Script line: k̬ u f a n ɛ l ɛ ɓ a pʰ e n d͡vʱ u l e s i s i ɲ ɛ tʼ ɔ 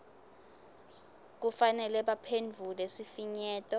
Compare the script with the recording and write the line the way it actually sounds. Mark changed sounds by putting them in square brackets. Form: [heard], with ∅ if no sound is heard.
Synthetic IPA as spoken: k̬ u f a n ɛ l ɛ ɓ a pʰ e n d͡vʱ u l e s i [f] i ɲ [ɛː] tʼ ɔ